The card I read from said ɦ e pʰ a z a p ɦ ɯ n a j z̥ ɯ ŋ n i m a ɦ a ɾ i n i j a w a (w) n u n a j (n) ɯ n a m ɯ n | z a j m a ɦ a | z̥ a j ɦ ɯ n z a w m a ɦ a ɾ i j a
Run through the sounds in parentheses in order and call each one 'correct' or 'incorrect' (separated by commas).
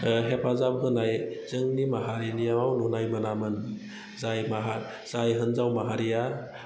correct, incorrect